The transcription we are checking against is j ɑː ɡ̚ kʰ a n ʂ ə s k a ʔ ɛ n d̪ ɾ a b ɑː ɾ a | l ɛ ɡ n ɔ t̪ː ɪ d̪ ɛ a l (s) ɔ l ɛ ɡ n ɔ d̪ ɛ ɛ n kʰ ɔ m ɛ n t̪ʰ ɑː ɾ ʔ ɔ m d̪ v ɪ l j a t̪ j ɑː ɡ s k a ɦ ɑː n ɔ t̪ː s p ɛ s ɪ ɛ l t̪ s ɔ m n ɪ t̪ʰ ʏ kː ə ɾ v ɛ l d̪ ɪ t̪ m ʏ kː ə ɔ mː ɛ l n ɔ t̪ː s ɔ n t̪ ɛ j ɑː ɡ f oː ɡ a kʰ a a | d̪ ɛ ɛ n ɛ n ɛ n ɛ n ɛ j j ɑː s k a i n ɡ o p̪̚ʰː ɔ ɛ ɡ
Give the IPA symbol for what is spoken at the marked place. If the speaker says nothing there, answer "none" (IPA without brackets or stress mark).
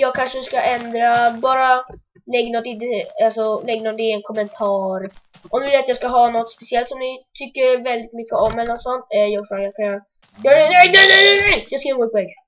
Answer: s